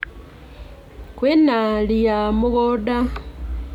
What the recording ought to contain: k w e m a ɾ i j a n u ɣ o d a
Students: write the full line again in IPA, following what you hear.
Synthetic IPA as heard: k w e n a l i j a m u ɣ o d a